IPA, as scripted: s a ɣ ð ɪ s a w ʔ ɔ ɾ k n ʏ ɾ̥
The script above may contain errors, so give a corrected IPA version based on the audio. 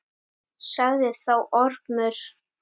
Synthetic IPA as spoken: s a ɣ ð ɪ θ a w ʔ ɔ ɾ p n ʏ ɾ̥